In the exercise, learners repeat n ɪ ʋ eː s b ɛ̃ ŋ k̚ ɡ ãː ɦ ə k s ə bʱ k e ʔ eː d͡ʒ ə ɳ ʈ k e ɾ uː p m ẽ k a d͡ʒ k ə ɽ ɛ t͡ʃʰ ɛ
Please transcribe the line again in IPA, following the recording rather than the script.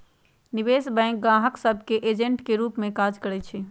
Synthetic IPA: n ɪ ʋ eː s b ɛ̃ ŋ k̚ ɡ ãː ɦ ə k s ə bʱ k e ʔ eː d͡ʒ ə ɳ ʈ k e ɾ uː p m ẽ k a d͡ʒ k ə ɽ ɛ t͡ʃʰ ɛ